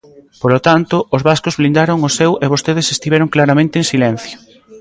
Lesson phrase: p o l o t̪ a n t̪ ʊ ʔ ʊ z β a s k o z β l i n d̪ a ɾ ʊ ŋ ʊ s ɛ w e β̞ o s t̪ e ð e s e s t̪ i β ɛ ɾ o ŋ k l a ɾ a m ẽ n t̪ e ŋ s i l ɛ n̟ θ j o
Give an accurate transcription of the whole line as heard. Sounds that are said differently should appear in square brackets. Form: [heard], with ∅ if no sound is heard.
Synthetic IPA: p o l o t̪ a n t̪ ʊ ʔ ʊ z β a s k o z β l i n d̪ a ɾ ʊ ŋ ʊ s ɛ w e β̞ o s t̪ e ð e s e s t̪ i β ɛ ɾ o ŋ k l a ɾ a m ẽ n t̪ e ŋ s i l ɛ n̟ θ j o